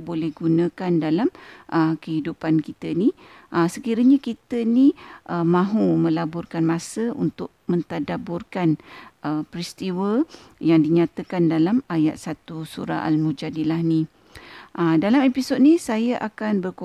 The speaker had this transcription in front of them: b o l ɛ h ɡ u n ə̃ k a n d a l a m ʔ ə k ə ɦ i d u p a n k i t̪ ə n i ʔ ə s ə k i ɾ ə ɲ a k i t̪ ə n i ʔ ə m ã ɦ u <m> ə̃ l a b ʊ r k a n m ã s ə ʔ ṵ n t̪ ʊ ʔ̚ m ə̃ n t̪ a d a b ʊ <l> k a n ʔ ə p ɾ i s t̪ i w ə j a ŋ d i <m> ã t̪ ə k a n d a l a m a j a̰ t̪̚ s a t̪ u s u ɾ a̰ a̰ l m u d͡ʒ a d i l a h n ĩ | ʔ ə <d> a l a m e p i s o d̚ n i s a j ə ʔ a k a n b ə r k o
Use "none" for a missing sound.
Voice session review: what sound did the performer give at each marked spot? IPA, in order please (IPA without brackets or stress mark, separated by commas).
m, r, ɲ, d